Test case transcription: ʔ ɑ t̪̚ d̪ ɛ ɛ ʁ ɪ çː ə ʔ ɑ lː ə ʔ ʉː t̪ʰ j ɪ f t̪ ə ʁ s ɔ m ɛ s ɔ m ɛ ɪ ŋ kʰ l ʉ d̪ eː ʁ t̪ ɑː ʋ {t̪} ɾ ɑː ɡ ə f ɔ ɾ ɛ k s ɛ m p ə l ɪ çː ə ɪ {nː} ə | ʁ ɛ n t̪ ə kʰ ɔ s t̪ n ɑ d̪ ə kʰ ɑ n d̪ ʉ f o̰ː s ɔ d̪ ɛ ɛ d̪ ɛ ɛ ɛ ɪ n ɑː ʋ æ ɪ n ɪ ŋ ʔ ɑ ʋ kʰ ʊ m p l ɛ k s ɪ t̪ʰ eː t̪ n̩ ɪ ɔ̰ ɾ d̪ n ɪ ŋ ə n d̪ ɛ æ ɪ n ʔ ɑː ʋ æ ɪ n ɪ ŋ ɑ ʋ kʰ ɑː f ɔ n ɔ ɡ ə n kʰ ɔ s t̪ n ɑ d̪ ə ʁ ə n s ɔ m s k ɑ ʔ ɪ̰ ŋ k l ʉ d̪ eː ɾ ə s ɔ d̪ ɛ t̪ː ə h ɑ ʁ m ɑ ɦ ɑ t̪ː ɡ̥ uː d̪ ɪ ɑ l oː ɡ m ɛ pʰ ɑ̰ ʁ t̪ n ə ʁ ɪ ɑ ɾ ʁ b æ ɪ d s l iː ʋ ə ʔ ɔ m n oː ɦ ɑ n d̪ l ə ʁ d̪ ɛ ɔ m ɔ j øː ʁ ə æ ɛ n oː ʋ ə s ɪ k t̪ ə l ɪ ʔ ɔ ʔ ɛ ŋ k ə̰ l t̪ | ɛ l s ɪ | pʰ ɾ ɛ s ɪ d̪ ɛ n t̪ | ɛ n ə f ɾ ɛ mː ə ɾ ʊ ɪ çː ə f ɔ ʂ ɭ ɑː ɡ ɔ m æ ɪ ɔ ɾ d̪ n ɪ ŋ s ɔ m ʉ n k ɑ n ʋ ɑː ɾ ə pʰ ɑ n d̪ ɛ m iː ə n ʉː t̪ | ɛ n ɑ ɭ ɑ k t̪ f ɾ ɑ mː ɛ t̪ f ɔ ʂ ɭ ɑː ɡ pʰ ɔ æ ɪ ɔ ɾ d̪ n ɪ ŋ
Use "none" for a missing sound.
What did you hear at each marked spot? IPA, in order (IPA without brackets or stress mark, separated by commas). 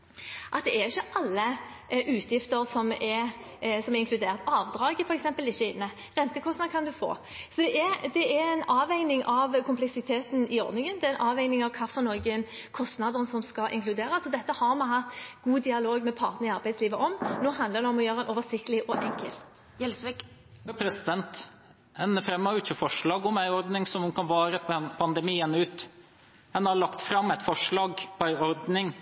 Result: d̪, nː